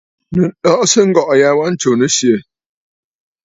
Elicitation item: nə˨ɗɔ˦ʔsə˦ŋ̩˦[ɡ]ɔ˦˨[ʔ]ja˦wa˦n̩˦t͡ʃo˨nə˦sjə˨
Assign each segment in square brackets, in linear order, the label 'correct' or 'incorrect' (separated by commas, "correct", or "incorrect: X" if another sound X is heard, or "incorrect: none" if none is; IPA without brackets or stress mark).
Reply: correct, correct